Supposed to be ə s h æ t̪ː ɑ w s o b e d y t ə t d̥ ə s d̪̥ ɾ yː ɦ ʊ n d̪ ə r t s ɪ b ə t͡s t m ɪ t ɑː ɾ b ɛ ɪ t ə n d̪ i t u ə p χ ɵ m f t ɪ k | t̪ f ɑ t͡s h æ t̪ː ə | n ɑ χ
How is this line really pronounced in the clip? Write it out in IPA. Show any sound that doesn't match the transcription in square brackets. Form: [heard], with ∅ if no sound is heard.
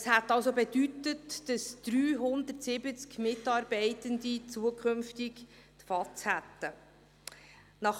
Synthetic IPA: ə s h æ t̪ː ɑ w s o b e d y t ə t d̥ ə s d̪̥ ɾ yː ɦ ʊ n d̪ ə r t s ɪ b ə t͡s [k] m ɪ t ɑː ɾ b ɛ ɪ t ə n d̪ i [t͡s] u ə [k] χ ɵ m f t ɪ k | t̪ f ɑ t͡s h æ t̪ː ə | n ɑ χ